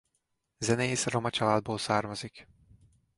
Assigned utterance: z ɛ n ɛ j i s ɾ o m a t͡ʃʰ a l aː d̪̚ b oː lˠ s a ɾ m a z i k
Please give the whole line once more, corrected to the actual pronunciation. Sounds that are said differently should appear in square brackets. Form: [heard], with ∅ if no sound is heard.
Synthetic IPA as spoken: z ɛ n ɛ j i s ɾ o m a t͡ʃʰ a l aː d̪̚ b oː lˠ s a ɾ m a z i k